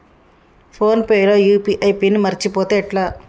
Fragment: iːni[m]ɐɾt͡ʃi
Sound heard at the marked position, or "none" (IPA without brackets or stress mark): m